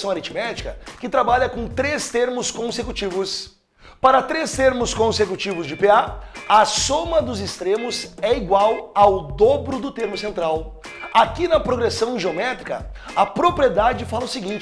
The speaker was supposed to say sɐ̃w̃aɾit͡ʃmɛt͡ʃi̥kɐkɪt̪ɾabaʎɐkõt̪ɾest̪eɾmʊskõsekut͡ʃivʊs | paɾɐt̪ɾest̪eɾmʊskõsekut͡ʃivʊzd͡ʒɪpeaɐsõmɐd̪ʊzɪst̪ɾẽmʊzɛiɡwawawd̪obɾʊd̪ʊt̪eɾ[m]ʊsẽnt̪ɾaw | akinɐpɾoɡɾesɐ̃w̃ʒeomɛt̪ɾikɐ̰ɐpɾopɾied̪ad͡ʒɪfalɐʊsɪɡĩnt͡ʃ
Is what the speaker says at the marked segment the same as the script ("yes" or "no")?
yes